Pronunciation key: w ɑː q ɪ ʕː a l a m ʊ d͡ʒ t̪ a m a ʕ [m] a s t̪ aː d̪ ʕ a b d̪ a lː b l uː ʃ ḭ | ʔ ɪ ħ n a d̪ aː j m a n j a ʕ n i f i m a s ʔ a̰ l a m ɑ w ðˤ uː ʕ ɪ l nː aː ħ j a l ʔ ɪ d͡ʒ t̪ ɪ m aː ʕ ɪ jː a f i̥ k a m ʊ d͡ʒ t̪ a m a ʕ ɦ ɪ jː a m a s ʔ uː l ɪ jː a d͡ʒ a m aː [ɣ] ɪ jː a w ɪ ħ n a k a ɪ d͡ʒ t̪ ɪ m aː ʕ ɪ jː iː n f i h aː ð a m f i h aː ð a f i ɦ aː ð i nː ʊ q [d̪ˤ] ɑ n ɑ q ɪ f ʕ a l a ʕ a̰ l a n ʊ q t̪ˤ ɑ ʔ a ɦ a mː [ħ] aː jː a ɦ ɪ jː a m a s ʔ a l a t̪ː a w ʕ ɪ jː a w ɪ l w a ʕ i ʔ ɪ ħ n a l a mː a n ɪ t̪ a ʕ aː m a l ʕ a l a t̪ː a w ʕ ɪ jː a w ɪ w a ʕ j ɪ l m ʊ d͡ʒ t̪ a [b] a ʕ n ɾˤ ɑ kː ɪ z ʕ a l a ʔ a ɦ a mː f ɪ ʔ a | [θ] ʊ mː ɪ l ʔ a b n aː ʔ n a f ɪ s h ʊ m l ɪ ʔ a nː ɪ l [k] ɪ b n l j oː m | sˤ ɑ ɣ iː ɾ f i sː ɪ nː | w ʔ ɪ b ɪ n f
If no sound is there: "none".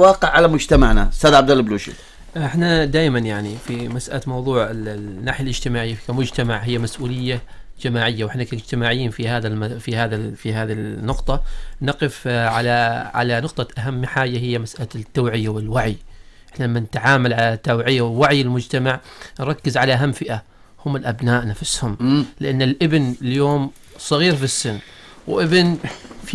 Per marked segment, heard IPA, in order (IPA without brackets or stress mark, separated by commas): n, ʕ, t̪ˤ, ħ, m, h, ʔ